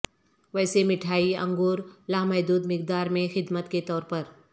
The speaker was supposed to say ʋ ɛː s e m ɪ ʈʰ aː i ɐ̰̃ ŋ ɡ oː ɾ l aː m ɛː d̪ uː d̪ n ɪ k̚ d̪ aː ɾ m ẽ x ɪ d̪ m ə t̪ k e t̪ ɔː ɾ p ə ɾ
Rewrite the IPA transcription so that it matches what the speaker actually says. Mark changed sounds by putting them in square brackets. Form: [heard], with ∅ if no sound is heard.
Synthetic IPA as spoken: ʋ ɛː s e m ɪ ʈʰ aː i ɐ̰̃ ŋ ɡ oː ɾ l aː m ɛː d̪ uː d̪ [m] ɪ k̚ d̪ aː ɾ m ẽ x ɪ d̪ m ə t̪ k e t̪ ɔː ɾ p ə ɾ